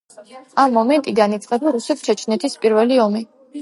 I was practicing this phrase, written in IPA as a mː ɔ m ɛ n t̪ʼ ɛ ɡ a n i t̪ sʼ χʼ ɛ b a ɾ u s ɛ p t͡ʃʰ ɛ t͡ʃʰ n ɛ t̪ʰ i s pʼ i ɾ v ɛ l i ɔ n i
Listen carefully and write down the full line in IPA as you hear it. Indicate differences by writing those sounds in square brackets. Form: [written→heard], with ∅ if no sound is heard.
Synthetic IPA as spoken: a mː ɔ m ɛ n t̪ʼ [ɛ→i] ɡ a n i t̪ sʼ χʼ ɛ b a ɾ u s ɛ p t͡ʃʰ ɛ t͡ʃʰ n ɛ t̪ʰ i s pʼ i ɾ v ɛ l i ɔ [n→m] i